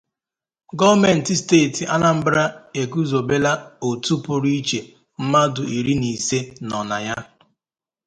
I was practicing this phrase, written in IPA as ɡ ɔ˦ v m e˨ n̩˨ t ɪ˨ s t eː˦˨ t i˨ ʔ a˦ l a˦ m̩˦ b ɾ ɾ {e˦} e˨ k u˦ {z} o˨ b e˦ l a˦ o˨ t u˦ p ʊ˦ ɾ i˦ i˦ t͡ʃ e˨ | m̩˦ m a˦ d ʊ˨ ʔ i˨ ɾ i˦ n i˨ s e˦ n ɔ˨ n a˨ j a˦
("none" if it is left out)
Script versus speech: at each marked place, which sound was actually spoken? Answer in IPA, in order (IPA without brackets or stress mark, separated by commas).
a˦, z